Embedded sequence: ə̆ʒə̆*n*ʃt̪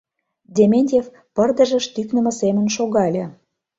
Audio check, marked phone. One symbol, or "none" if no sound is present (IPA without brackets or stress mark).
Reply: none